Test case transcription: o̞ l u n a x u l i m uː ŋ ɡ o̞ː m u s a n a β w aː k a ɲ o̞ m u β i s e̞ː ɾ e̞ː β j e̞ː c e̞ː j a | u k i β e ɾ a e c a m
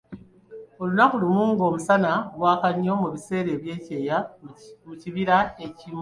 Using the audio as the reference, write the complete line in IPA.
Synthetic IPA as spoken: o̞ l u n a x u l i m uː ŋ ɡ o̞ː m u s a n a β w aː k a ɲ o̞ m u β i s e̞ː ɾ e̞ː β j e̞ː c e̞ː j a | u c i β i ɾ a e c i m